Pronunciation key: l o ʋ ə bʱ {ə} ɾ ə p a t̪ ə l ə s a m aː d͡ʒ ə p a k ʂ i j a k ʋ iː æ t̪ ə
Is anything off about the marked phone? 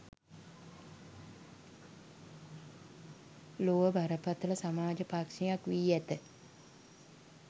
yes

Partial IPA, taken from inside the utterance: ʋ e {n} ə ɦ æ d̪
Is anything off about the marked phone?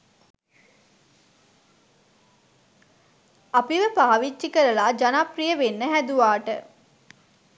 yes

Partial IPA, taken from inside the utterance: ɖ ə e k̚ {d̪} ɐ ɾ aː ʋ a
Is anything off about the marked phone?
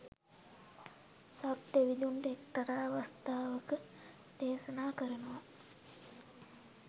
yes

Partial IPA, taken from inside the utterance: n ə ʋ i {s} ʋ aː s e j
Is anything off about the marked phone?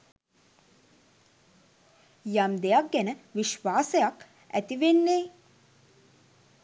yes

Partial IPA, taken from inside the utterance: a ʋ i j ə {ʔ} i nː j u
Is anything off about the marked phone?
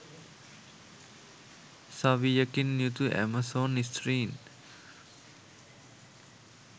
yes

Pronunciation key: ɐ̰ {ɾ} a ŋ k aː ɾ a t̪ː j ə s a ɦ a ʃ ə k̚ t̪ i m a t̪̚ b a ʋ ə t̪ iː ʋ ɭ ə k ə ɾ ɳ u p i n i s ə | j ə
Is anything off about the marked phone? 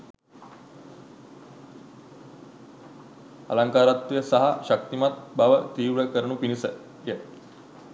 yes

